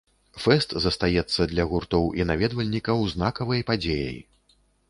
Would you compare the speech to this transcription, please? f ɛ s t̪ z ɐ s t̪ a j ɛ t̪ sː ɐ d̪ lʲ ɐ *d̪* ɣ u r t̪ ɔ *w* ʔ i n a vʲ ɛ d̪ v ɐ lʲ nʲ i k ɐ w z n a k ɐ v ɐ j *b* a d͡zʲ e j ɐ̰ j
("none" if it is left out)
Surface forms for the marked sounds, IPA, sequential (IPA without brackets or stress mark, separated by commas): none, w, p